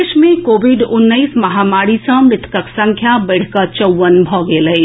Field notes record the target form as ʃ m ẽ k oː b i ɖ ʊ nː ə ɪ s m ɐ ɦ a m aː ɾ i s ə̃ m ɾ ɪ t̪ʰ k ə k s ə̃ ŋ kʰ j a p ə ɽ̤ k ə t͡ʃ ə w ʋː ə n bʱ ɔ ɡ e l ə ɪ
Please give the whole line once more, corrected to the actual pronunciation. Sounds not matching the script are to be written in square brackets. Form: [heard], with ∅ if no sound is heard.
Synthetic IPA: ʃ m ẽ k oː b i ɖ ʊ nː ə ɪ s m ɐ ɦ a m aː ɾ i s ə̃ m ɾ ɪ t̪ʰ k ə k s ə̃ ŋ kʰ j a [b] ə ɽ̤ k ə t͡ʃ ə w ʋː ə n bʱ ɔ ɡ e l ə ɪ